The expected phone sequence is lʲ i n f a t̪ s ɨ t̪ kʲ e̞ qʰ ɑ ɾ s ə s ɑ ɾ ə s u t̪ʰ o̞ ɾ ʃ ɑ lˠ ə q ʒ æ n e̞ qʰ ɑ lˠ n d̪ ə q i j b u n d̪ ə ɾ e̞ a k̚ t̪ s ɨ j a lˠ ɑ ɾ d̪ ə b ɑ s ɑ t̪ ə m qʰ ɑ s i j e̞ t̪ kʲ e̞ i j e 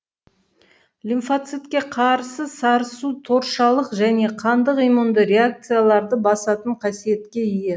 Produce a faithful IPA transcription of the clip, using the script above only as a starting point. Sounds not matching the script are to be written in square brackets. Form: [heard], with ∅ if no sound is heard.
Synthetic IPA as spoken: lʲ i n f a t̪ s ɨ t̪ kʲ e̞ qʰ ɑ ɾ s ə s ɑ ɾ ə s u t̪ʰ o̞ ɾ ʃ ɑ lˠ ə q ʒ æ n e̞ qʰ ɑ [∅] n d̪ ə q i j [m] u n d̪ ə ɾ e̞ a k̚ t̪ s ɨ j a lˠ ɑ ɾ d̪ ə b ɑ s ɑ t̪ ə [ɴ] qʰ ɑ s i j e̞ t̪ kʲ e̞ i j e